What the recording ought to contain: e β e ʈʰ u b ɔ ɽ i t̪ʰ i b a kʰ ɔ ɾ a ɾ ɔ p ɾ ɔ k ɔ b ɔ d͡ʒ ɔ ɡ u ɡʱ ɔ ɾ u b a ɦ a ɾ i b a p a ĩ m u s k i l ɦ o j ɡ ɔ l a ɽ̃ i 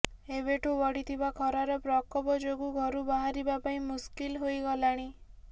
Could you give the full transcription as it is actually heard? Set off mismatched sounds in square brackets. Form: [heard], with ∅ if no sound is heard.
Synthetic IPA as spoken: e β e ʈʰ u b ɔ ɽ i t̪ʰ i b a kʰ ɔ ɾ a ɾ ɔ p ɾ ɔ k ɔ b ɔ d͡ʒ [o] ɡ u ɡʱ ɔ ɾ u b a ɦ a ɾ i b a p a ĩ m u s k i l ɦ o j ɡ ɔ l a ɽ̃ i